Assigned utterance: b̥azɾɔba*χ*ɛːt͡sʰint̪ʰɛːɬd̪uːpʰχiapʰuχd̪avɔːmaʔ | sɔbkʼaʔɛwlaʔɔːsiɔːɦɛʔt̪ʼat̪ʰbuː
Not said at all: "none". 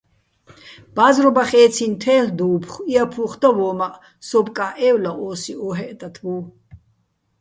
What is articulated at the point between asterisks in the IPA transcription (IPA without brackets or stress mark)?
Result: χ